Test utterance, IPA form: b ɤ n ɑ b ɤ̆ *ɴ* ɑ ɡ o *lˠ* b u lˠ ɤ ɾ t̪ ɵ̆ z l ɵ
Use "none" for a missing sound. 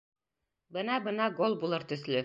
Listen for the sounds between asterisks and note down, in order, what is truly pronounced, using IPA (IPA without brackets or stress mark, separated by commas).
n, lˠ